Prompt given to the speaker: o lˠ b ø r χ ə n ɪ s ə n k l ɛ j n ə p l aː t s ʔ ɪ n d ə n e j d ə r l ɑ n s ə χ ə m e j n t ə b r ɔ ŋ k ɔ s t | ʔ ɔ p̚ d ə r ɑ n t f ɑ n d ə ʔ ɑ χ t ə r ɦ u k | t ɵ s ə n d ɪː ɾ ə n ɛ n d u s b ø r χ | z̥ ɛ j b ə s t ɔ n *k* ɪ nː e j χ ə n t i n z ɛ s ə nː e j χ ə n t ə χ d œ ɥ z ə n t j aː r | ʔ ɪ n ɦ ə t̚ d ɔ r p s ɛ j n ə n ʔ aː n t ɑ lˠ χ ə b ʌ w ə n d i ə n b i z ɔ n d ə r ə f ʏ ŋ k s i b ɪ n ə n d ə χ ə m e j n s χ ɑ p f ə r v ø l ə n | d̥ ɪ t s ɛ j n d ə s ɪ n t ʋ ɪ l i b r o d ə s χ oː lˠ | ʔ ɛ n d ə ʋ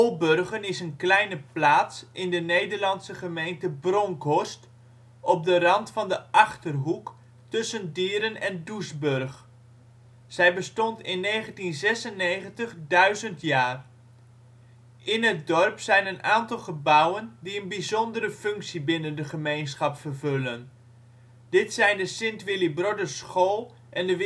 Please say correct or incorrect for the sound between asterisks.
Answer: incorrect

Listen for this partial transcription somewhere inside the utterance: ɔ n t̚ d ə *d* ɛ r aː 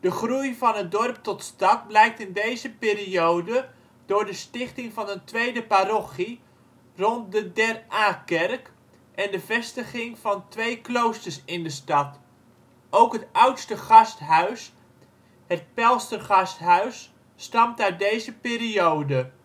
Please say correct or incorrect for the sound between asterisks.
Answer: correct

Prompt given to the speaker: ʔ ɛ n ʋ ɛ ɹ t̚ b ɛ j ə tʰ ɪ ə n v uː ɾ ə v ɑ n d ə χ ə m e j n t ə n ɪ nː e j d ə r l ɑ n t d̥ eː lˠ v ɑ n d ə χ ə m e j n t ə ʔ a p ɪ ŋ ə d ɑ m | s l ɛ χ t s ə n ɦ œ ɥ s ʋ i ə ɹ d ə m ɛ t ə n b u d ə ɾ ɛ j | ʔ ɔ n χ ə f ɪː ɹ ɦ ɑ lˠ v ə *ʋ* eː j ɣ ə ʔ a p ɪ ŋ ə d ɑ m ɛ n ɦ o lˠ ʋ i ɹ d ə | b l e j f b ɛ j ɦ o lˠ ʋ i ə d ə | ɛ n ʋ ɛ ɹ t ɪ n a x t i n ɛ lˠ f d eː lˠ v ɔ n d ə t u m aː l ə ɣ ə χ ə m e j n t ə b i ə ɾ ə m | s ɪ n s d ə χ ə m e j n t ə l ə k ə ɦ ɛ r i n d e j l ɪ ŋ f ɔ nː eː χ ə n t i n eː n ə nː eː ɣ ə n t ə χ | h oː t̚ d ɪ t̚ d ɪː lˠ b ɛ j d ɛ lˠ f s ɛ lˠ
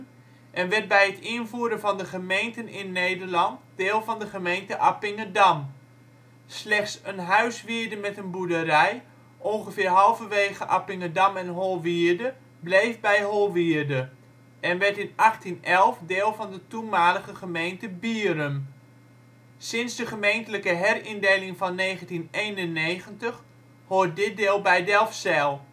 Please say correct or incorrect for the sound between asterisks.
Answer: correct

